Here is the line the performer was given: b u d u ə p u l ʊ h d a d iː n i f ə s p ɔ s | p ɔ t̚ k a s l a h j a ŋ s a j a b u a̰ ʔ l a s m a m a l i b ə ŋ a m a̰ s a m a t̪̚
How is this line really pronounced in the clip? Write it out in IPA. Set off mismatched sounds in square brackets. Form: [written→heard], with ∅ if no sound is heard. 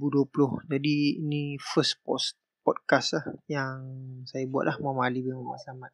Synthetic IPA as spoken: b u d u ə p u l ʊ h [d→d͡ʒ] a d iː n i f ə s p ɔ s | p ɔ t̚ k a s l a h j a ŋ s a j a b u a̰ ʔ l a [s→h] m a m a l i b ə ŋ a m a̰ s a m a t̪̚